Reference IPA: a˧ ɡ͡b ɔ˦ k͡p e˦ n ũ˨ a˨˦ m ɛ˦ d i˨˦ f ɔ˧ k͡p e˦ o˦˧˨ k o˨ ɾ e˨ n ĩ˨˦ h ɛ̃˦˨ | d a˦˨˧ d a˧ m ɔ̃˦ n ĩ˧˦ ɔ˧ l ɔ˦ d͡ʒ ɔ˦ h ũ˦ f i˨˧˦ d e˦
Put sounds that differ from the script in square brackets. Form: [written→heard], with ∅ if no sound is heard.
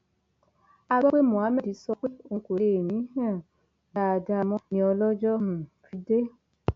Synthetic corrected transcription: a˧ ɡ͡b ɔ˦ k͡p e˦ [n→m] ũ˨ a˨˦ m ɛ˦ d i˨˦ [f→s] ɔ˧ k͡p e˦ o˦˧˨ k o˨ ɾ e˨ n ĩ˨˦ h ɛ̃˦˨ | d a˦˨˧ d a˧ m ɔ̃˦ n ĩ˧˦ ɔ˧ l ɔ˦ d͡ʒ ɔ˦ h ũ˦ f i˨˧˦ d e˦